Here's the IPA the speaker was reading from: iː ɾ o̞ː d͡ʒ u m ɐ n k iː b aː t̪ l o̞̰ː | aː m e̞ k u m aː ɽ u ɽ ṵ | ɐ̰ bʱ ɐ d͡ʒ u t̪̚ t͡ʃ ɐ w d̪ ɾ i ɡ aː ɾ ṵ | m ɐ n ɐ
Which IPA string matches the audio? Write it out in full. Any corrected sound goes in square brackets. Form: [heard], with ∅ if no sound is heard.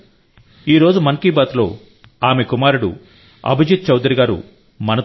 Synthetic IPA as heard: iː ɾ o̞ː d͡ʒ u m ɐ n k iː b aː t̪ l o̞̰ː | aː m e̞ k u m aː [ɾ] u ɽ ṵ | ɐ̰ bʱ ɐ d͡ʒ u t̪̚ t͡ʃ ɐ w d̪ ɾ i ɡ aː ɾ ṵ | m ɐ n ɐ